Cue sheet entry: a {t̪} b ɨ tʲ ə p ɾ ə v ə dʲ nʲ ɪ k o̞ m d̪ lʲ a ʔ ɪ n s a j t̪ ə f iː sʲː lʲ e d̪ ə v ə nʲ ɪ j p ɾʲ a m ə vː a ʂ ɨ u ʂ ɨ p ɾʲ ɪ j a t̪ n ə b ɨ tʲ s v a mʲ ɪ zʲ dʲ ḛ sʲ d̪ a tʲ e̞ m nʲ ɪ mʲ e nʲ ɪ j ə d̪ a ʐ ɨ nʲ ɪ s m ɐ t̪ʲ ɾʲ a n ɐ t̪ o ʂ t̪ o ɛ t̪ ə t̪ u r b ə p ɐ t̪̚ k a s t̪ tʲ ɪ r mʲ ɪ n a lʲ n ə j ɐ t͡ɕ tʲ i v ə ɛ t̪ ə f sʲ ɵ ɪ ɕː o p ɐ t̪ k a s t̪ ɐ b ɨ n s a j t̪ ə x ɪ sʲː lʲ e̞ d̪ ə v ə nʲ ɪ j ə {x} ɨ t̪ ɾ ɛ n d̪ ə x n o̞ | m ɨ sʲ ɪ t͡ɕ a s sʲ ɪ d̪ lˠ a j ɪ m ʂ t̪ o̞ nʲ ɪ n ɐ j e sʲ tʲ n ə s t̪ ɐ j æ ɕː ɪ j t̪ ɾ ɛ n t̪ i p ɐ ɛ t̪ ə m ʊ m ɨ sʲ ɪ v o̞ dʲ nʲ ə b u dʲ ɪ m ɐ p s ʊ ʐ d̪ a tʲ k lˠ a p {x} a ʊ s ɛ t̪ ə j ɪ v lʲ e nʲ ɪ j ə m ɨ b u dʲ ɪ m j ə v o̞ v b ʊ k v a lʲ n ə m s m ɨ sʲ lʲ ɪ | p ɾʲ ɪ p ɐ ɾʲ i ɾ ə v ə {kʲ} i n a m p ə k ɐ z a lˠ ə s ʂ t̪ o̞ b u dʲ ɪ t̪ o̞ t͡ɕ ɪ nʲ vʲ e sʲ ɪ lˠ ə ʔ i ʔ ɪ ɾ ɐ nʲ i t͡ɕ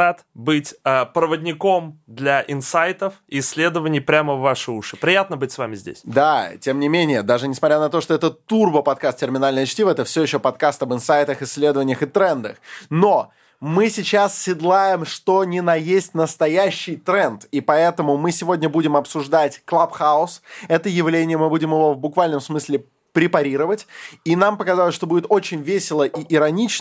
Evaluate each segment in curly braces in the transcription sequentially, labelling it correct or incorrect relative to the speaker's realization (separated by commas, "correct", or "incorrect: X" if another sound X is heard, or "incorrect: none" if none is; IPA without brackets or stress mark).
correct, correct, correct, incorrect: tʲ